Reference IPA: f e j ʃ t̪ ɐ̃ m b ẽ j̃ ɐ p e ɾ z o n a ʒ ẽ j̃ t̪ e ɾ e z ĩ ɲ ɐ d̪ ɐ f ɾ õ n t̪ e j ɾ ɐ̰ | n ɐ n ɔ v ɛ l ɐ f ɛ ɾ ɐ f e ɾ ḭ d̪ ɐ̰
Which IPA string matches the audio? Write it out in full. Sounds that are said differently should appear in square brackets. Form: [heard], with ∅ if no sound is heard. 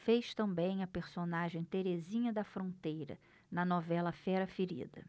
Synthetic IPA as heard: f e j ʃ t̪ ɐ̃ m b ẽ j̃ ɐ p e ɾ [s] o n a ʒ ẽ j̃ t̪ e ɾ e z ĩ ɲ ɐ d̪ ɐ f ɾ õ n t̪ e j ɾ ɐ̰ | n ɐ n ɔ v ɛ l ɐ f ɛ ɾ ɐ f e ɾ ḭ d̪ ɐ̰